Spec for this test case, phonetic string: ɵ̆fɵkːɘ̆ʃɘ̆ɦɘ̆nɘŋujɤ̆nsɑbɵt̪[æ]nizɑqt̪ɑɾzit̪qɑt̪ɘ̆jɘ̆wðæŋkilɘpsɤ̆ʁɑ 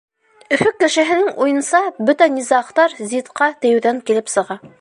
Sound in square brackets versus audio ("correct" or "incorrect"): correct